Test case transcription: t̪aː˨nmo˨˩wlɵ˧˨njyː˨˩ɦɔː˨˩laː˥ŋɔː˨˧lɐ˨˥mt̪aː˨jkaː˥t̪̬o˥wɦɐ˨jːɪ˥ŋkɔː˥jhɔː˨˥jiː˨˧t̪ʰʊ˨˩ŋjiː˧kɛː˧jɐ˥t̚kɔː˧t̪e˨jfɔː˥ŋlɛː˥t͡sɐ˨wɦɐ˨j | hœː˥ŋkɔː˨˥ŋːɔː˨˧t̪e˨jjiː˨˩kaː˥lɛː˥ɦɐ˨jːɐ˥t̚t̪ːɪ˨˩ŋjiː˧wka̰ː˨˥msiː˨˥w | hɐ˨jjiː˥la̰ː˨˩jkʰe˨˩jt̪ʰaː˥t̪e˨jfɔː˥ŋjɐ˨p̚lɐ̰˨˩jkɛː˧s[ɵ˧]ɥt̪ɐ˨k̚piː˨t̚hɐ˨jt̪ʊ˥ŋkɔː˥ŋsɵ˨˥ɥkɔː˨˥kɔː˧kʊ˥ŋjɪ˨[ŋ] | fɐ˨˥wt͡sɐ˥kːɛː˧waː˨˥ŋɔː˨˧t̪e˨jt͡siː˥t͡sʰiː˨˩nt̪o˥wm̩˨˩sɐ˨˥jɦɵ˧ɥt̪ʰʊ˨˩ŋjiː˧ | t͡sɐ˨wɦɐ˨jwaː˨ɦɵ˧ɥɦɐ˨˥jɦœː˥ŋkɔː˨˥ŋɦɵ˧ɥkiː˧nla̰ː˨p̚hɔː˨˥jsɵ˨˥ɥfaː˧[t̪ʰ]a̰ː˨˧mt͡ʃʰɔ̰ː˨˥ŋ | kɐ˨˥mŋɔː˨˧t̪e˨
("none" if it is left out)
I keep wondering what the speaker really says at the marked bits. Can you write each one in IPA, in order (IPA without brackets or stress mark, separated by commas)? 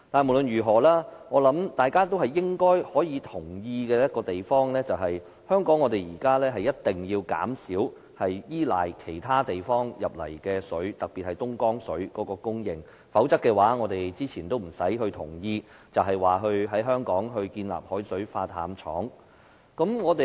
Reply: ɵ˨˥, ŋ, t̪ʰ